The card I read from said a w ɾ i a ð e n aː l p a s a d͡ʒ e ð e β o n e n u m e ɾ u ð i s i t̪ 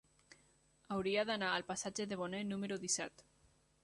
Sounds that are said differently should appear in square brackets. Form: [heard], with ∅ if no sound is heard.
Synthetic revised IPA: a w ɾ i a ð [a] n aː l p a s a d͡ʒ e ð e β o n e n u m e ɾ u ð i s [ɛ] t̪